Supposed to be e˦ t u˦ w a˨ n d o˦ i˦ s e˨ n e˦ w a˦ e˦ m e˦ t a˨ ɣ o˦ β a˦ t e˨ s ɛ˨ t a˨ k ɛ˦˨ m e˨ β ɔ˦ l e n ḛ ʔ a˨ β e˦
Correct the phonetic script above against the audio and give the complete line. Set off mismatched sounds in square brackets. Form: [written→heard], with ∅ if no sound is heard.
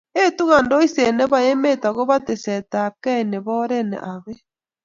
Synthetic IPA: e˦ t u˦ [w→ɣ] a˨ n d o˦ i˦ s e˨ n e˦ [w→β] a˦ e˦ m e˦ t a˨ ɣ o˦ β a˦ t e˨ s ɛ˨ t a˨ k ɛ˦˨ [m→n] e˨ β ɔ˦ [l→ɾ] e n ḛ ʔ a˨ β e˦